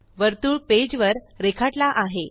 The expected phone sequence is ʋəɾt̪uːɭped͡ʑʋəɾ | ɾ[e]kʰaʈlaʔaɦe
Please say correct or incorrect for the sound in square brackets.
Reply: correct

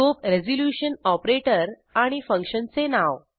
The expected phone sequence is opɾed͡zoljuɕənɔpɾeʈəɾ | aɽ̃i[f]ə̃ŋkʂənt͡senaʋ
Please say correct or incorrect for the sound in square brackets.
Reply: correct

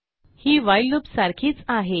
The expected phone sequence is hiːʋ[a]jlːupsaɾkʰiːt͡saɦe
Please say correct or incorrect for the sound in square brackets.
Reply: correct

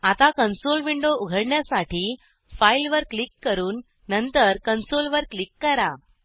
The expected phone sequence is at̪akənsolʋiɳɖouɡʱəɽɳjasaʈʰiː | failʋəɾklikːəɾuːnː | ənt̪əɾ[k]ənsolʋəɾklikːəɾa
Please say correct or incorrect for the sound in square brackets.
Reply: correct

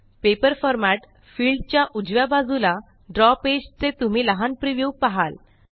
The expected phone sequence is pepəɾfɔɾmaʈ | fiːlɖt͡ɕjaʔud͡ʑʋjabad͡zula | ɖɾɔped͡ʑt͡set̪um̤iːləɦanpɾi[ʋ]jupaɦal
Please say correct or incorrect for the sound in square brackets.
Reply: correct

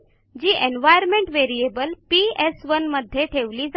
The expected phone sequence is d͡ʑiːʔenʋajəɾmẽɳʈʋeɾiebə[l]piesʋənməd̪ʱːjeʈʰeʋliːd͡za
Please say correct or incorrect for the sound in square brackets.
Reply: correct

